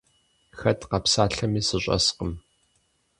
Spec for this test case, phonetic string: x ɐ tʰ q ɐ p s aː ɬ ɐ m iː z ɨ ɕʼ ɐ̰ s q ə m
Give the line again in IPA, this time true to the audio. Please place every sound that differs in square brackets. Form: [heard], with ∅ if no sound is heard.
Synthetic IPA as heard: x ɐ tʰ q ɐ p s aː ɬ ɐ m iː [s] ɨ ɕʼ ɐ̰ s q ə m